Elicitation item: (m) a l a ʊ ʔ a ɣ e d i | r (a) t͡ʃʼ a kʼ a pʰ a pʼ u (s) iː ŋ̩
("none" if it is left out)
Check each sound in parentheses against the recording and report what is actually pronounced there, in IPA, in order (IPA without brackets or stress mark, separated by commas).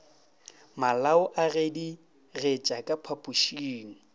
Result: m, e, ʃ